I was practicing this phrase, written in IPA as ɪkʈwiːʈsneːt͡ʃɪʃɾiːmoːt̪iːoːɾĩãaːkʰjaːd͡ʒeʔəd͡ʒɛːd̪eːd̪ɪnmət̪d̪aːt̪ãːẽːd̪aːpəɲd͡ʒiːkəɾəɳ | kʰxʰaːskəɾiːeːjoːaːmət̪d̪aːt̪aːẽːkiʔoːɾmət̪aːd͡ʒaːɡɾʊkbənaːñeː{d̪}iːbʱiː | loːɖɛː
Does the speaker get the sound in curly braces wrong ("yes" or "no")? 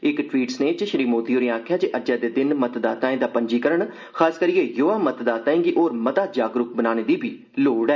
no